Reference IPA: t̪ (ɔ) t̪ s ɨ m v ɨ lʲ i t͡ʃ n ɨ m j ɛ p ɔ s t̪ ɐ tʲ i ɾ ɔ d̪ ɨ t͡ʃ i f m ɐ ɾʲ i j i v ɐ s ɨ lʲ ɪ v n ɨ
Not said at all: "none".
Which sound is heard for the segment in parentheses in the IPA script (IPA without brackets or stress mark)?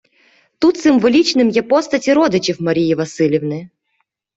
u